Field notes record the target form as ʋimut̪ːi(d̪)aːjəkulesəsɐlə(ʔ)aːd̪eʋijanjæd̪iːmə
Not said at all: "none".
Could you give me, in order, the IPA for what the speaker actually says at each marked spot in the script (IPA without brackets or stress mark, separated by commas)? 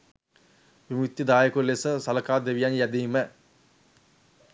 d̪, k